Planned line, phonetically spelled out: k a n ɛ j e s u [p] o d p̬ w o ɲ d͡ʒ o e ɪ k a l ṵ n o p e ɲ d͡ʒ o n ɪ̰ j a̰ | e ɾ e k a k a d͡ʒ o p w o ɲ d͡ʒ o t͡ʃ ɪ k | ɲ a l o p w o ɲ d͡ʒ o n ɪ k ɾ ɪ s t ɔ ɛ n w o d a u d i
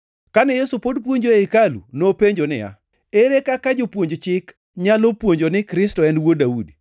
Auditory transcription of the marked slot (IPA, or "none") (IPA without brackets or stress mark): p